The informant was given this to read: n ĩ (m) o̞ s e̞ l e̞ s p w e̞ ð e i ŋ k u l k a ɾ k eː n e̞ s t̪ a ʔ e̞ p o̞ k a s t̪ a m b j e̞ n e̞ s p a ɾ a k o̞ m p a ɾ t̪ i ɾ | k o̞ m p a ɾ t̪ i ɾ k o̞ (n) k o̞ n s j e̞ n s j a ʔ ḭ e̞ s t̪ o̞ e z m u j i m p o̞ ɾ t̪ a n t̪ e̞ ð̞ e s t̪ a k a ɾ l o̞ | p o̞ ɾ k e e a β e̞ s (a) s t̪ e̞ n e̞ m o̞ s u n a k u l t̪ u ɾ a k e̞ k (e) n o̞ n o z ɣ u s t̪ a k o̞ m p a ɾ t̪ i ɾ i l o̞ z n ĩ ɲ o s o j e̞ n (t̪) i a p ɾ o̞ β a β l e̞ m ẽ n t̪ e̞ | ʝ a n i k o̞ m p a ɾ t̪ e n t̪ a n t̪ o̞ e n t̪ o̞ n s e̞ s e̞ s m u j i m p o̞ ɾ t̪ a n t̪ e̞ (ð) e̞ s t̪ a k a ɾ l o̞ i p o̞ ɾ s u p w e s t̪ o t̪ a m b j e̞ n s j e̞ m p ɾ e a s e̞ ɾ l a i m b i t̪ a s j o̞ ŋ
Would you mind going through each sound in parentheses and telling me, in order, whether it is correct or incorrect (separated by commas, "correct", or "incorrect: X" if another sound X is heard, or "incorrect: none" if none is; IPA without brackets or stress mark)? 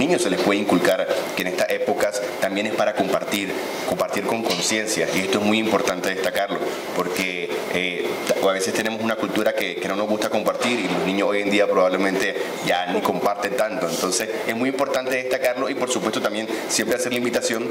incorrect: ɲ, incorrect: ŋ, incorrect: e, correct, incorrect: d̪, correct